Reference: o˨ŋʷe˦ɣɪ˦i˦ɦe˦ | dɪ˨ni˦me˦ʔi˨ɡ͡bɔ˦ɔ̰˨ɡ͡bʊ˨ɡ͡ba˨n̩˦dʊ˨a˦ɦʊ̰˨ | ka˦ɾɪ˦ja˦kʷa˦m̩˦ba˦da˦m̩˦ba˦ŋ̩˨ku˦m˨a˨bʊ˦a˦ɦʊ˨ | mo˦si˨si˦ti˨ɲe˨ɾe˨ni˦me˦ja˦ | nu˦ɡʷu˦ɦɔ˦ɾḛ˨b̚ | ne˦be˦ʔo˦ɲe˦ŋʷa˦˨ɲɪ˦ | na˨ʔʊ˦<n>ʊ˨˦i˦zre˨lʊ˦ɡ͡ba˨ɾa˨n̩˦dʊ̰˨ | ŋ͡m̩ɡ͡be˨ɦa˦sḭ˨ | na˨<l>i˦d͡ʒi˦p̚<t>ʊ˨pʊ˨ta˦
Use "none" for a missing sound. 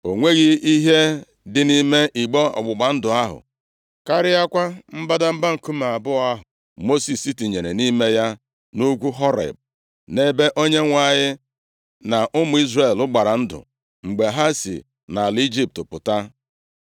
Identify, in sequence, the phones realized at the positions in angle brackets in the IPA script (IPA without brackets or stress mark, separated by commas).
m, l, t